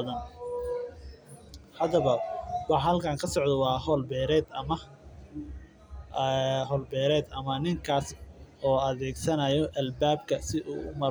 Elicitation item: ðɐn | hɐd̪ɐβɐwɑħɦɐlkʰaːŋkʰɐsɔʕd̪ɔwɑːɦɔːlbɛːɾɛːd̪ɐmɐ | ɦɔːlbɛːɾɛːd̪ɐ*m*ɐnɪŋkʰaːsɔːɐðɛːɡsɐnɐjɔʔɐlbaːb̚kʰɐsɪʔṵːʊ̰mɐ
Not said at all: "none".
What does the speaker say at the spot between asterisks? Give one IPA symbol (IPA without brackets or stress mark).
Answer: m